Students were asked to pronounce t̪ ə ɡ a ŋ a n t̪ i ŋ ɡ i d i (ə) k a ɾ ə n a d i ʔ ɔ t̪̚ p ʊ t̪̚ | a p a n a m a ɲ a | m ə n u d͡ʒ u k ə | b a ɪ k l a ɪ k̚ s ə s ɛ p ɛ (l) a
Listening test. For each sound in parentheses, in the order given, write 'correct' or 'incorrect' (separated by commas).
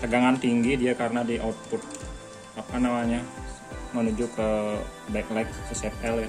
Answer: incorrect, correct